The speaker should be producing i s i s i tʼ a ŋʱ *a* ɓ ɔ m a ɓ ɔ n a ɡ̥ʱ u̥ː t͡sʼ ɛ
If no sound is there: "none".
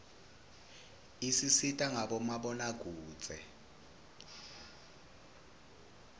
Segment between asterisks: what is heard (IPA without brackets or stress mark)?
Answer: a